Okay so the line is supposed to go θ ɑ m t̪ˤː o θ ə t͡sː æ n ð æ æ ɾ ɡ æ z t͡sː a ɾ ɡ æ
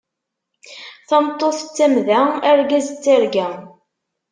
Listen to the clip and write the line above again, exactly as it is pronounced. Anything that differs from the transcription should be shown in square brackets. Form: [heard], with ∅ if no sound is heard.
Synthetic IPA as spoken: θ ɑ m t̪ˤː o θ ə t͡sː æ [m] ð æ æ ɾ ɡ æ z t͡sː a ɾ ɡ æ